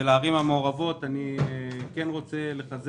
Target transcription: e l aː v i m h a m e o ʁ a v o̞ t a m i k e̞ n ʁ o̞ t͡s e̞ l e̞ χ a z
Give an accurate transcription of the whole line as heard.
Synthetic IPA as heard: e l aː ʁ i m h a m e o ʁ a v o̞ t a n i k e̞ n ʁ o̞ t͡s e̞ l e̞ χ a z